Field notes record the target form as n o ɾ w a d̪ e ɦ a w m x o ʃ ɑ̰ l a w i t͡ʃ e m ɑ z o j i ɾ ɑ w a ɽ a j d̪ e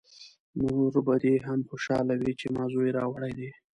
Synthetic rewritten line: n o ɾ b a d̪ e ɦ a m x o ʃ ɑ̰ l a w i t͡ʃ e m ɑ z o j e ɾ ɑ w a ɽ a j d̪ e